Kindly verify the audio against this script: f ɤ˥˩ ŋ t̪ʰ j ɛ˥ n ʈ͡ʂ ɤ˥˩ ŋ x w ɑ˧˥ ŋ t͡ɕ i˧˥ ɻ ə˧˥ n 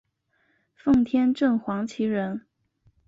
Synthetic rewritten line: f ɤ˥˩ ŋ t̪ʰ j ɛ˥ n ʈ͡ʂ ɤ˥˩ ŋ x w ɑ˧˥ ŋ t͡ɕʰ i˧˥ ɻ ə˧˥ n